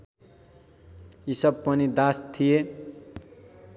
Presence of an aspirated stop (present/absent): present